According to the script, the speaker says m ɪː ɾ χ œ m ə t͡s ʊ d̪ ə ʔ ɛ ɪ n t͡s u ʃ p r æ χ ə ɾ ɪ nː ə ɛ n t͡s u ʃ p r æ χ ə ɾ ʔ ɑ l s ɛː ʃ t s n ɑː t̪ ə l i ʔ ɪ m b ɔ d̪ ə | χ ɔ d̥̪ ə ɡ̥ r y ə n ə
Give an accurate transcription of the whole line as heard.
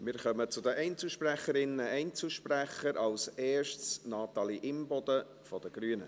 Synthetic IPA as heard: m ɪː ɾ χ œ m ə t͡s ʊ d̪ ə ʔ ɛ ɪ n t͡s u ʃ p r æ χ ə ɾ ɪ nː ə ɛ n t͡s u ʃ p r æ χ ə ɾ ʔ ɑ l s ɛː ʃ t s n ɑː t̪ ɑ l i ʔ ɪ m b ɔ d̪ ə | f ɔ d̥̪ ə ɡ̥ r y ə n ə